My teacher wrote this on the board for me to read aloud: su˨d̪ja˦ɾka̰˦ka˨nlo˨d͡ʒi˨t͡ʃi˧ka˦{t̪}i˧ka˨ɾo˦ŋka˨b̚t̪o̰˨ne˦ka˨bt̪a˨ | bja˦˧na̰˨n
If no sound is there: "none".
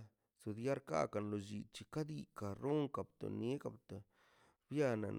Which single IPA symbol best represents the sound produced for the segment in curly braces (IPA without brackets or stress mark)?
d̪